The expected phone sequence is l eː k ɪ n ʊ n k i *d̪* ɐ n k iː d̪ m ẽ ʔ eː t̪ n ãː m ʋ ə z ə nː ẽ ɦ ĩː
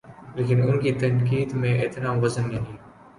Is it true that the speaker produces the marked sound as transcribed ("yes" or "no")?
no